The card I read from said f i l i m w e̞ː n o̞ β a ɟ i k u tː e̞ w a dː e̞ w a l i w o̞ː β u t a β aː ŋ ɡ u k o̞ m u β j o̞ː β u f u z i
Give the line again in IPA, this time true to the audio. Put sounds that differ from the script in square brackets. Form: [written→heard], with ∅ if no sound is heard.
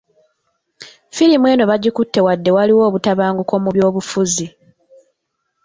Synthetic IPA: f i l i m w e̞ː n o̞ β a ɟ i k u tː e̞ w a dː e̞ w a l i w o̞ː β u t a β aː ŋ ɡ u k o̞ m u β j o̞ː β u f u z i